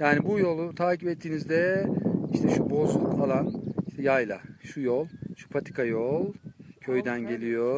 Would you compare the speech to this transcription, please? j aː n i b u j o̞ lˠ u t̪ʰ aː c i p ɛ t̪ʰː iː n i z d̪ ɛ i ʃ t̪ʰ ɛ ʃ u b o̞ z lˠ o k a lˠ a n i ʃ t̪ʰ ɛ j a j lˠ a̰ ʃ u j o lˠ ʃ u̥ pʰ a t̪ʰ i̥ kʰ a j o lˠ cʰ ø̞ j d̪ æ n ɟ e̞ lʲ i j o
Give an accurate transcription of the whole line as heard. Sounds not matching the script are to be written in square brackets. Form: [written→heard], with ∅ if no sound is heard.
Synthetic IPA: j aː n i b u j o̞ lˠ u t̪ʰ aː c i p ɛ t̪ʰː iː n i z d̪ ɛ i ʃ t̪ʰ ɛ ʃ u b o̞ z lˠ [o→u] k a lˠ a n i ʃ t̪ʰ ɛ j a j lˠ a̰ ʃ u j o lˠ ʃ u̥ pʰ a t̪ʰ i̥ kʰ a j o lˠ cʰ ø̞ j d̪ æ n ɟ e̞ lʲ i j o